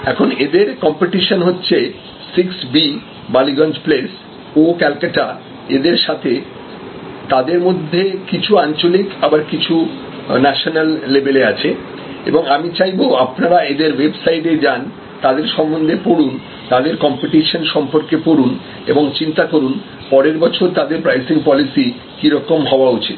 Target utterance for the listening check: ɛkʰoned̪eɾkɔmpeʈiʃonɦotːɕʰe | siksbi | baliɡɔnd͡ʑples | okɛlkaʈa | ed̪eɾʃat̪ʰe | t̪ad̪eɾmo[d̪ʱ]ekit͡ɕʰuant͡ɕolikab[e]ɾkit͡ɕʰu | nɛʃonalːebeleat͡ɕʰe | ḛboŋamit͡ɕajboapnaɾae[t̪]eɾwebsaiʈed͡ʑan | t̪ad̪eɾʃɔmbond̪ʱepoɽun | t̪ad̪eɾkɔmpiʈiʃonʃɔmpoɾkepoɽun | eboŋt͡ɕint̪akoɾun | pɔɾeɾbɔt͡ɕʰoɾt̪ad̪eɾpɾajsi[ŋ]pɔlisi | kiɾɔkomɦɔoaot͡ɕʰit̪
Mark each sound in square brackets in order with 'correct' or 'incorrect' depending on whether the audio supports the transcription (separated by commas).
incorrect, incorrect, incorrect, correct